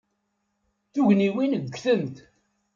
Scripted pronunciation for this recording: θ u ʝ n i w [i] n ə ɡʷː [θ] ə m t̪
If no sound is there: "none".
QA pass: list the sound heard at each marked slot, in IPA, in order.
i, θ

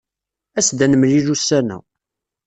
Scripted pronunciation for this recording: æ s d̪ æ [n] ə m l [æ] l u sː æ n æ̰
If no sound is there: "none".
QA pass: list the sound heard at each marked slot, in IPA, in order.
n, i

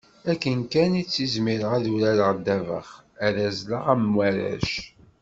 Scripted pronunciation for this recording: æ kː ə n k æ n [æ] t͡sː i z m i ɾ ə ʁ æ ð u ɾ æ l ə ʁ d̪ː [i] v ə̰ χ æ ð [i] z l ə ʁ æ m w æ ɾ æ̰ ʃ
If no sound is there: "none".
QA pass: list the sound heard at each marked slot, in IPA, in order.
i, æ, æ

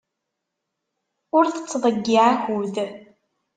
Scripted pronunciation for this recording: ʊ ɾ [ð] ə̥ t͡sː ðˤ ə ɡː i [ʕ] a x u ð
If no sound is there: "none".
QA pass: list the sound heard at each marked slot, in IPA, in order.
θ, ʕ

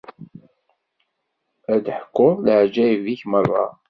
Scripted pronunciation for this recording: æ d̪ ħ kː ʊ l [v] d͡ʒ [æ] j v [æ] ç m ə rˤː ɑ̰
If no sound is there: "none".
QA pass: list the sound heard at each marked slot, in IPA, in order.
ʕ, æ, i

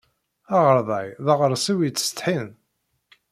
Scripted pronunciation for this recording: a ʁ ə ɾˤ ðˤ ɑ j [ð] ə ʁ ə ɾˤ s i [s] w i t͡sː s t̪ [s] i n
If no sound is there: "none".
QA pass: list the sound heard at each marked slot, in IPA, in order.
ð, none, ħ

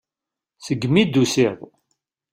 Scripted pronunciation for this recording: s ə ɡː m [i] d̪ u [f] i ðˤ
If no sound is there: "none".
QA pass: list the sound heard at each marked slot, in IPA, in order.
i, s

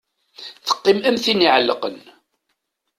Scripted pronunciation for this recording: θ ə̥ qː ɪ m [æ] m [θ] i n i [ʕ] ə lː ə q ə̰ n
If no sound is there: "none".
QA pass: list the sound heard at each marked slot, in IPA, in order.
æ, θ, ʕ

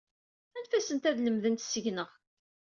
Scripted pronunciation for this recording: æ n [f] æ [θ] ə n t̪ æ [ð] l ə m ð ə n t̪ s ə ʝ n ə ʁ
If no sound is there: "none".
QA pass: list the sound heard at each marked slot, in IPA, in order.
f, s, ð

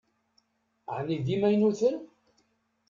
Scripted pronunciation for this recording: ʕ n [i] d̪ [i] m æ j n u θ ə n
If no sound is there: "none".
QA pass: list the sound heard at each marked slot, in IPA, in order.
i, i

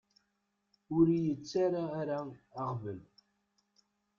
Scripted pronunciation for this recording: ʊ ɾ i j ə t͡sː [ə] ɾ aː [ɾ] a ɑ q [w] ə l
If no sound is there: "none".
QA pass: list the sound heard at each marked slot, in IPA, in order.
a, ɾ, v

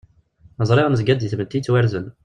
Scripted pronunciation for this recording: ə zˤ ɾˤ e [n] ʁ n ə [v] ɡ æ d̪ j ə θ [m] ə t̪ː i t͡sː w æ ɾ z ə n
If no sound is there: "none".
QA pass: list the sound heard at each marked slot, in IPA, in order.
none, z, m

